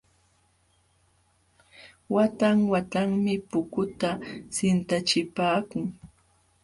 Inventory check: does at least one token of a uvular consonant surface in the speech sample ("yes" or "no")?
no